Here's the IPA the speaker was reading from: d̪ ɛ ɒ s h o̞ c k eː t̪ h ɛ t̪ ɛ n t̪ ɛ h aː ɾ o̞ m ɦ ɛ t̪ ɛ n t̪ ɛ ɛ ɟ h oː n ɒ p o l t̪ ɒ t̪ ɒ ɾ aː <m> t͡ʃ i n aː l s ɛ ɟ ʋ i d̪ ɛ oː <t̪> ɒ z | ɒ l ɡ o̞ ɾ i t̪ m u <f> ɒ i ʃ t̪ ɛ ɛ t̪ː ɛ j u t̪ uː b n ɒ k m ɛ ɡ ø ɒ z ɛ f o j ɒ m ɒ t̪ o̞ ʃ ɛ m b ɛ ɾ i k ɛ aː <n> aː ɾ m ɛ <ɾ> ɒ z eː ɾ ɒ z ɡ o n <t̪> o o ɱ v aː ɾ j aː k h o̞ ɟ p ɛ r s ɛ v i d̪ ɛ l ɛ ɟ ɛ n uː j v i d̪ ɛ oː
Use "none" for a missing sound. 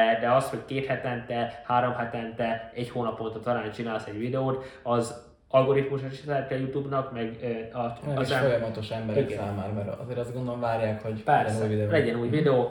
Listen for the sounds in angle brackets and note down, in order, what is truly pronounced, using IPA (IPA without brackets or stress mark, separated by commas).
n, t̪, ʃ, m, ɾ, d̪